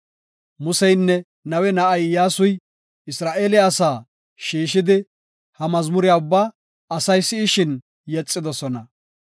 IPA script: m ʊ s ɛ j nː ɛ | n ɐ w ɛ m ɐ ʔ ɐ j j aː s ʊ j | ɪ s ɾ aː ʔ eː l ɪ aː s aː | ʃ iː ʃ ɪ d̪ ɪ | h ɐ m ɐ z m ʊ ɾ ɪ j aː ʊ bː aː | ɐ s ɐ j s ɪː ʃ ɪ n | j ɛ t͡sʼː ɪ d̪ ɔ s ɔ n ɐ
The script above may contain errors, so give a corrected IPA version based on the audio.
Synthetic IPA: m ʊ s ɛ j nː ɛ | n ɐ w ɛ n ɐ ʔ ɐ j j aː s ʊ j | ɪ s ɾ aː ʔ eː l ɪ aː s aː | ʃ iː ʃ ɪ d̪ ɪ | h ɐ m ɐ z m ʊ ɾ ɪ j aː ʊ bː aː | ɐ s ɐ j s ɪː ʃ ɪ n | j ɛ t͡sʼː ɪ d̪ ɔ s ɔ n ɐ